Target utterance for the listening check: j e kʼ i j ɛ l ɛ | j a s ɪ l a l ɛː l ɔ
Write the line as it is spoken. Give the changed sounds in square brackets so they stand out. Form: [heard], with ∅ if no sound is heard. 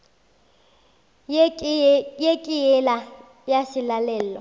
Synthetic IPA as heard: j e kʼ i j ɛ l [a] | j a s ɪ l a l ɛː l ɔ